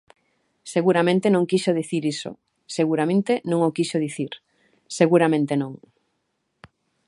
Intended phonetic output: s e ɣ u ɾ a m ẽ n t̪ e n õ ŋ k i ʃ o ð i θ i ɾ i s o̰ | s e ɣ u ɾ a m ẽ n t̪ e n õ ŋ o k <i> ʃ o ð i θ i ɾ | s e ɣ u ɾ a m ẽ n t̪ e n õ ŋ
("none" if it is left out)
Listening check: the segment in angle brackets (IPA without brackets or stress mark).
i